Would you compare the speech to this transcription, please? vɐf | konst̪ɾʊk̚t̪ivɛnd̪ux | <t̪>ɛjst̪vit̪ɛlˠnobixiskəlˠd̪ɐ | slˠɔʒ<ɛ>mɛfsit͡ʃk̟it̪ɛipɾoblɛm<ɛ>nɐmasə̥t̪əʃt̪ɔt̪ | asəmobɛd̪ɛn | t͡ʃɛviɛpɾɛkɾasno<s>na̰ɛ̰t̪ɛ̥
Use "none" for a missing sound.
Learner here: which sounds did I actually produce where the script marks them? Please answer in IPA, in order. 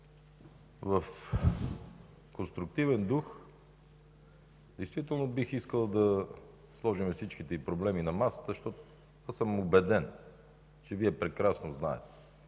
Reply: d̪, i, i, z

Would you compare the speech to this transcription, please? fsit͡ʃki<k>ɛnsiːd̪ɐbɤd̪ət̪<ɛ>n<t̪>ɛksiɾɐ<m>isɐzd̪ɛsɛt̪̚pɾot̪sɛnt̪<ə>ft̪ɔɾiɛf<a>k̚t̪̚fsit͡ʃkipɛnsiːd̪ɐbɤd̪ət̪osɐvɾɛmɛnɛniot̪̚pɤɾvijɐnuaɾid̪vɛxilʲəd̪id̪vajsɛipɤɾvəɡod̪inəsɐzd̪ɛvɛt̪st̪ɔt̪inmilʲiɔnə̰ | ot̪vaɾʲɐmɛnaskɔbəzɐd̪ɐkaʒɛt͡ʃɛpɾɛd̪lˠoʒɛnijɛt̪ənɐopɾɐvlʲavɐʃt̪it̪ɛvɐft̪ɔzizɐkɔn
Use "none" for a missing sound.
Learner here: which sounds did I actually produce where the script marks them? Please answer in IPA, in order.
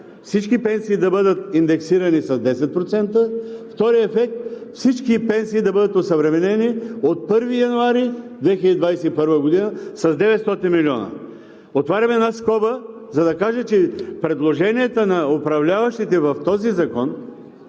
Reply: p, i, d̪, n, ə, ɛ

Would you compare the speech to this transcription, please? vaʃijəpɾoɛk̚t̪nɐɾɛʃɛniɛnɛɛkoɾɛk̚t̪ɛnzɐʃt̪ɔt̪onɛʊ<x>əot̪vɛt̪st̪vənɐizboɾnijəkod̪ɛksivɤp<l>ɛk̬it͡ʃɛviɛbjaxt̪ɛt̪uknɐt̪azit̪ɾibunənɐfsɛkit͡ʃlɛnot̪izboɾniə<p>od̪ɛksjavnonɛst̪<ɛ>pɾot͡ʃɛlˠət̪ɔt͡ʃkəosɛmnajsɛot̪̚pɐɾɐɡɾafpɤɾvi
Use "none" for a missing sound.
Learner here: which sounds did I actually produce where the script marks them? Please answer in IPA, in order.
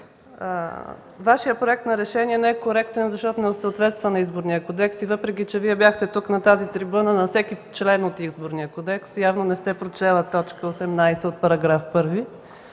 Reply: s, ɾ, k, ɛ

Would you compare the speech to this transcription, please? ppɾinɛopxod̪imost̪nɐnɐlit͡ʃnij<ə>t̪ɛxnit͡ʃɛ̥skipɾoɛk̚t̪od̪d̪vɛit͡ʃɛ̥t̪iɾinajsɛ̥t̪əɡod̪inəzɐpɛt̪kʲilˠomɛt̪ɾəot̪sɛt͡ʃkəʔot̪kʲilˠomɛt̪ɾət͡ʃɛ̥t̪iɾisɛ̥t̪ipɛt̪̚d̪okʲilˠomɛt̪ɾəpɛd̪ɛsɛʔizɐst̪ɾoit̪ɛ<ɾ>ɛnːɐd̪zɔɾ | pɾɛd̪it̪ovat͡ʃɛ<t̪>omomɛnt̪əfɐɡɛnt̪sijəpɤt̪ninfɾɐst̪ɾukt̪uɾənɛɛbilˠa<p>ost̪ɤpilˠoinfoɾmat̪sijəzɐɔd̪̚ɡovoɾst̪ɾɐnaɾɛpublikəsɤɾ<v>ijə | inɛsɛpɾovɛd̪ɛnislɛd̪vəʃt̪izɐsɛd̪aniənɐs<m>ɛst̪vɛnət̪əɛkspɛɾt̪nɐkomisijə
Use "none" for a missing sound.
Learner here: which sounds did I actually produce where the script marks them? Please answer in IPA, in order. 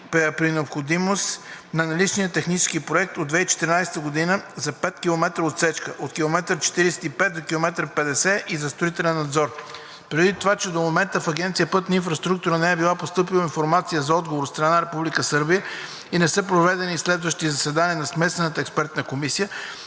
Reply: ə, l, d̪, p, b, m

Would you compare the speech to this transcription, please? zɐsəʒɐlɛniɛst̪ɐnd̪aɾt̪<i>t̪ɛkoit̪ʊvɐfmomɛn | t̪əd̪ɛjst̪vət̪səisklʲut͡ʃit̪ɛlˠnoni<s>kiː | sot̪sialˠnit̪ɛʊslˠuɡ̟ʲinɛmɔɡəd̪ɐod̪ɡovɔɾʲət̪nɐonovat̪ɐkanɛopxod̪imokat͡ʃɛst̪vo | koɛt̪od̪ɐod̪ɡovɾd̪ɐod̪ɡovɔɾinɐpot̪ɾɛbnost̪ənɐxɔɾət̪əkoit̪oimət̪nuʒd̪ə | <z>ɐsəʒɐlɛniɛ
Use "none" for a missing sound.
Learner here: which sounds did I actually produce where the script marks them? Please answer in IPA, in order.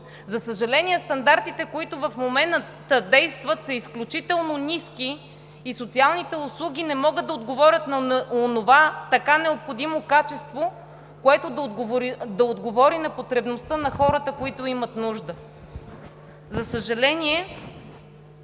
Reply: i, s, z

